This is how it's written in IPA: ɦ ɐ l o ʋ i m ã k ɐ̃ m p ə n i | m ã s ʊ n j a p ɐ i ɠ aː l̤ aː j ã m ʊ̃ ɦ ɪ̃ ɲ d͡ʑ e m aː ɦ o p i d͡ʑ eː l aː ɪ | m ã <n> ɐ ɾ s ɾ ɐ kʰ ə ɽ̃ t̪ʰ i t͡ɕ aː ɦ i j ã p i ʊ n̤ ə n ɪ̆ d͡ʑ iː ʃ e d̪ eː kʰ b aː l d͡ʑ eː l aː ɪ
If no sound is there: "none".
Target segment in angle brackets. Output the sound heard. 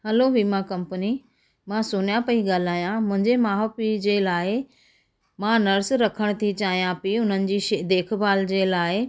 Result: n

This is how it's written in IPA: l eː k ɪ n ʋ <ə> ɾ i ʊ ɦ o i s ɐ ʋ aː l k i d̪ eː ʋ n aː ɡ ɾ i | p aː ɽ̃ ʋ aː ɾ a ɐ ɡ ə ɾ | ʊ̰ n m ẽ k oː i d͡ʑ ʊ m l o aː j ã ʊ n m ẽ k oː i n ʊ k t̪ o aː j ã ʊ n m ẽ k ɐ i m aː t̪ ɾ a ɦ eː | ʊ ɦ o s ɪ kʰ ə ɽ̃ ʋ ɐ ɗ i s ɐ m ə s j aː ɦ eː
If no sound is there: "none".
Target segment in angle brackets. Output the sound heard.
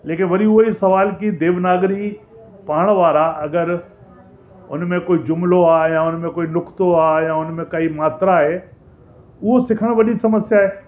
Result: ɐ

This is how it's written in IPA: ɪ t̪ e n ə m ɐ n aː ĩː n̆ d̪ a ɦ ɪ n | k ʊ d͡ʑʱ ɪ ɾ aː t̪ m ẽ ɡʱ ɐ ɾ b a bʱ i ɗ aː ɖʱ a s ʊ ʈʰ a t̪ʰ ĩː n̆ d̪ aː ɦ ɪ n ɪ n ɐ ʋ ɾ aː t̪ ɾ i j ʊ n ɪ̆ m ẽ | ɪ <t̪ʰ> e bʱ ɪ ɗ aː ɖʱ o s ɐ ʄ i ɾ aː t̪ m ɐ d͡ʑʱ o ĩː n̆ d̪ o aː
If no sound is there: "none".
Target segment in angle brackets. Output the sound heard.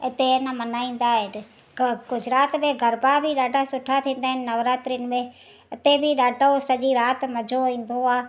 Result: t̪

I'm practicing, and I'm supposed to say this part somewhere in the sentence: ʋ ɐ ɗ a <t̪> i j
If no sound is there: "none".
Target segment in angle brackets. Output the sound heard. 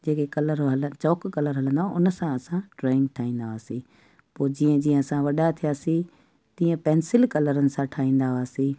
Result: t̪ʰ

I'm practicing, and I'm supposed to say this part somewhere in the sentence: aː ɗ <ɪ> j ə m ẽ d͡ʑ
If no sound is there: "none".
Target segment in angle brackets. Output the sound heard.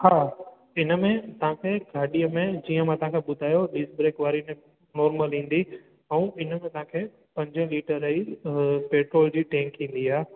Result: i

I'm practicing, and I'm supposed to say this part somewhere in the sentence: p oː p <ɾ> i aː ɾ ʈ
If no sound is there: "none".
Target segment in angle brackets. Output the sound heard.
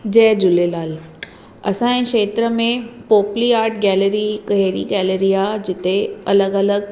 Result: l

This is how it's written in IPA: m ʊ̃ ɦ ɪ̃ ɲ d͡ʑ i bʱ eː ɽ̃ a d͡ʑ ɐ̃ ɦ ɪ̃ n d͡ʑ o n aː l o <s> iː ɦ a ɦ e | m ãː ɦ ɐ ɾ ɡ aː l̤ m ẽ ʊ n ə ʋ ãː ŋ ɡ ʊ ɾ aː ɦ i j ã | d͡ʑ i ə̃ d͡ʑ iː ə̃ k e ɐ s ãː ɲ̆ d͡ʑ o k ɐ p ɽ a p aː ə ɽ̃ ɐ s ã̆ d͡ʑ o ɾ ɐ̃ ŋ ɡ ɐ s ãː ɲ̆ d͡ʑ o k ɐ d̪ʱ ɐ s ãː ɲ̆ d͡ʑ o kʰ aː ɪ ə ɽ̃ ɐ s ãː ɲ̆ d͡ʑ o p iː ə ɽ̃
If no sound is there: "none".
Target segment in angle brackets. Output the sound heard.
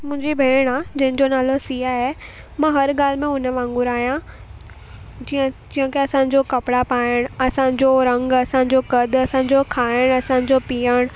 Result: s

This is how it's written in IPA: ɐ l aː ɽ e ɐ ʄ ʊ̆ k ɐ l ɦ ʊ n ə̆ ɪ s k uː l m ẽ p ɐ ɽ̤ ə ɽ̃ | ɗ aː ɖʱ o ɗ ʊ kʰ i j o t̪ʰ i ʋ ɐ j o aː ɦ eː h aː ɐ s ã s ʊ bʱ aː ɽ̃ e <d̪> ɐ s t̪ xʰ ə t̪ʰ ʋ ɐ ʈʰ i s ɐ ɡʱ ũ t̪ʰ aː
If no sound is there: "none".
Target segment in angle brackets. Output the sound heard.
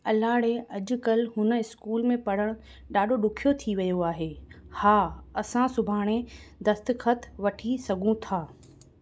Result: d̪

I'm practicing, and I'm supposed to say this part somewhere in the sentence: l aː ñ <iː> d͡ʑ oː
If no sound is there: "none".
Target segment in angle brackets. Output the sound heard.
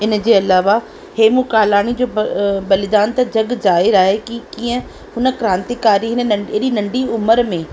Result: i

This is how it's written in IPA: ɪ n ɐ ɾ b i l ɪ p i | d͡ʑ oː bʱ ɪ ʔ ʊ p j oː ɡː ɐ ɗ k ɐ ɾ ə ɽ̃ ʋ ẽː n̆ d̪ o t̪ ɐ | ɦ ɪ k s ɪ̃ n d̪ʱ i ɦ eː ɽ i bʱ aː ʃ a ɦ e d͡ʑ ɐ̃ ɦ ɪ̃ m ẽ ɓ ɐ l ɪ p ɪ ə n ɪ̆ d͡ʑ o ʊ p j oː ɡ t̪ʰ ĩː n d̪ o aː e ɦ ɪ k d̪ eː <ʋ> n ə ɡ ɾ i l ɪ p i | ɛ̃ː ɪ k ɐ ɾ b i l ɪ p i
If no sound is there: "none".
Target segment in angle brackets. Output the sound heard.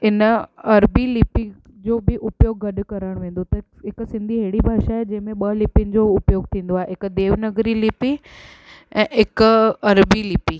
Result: ʋ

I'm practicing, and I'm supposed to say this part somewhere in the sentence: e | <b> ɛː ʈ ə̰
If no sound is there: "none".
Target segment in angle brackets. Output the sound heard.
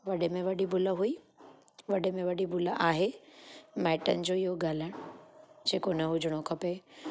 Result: m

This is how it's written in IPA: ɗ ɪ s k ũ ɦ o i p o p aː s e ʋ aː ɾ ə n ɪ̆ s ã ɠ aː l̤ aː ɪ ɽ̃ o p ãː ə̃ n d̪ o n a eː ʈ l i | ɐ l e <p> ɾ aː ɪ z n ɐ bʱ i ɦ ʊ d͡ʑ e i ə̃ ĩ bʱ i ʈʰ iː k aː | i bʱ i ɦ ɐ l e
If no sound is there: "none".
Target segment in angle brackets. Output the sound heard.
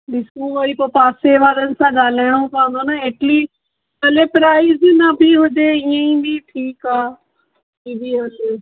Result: p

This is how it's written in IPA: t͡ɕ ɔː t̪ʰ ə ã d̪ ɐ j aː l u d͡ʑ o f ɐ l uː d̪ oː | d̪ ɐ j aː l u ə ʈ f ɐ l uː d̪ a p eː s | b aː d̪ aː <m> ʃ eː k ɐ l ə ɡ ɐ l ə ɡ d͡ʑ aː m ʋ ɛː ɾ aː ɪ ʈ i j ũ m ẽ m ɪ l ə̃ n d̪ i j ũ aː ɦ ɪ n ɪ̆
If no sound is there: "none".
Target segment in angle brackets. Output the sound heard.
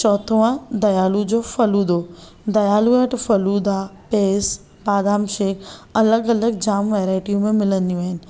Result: m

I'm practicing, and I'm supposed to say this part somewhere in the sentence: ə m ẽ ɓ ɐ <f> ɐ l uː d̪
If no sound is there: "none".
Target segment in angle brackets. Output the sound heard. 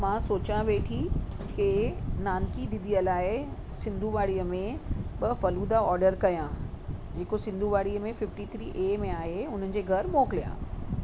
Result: f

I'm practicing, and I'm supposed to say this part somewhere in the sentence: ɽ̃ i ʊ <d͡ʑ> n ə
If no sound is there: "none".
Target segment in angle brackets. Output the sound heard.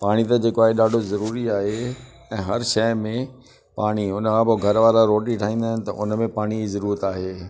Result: none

